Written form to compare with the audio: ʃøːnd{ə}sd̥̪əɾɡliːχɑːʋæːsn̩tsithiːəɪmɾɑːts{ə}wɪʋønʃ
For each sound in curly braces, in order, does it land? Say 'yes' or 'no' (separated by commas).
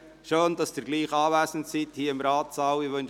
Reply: no, no